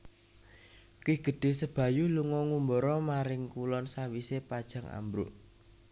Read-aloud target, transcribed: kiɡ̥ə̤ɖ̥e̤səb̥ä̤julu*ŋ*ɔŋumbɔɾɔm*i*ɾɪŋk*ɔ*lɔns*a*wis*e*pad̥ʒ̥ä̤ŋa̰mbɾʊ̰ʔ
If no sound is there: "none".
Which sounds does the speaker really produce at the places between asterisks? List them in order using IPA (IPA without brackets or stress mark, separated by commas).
ŋ, a, u, a, e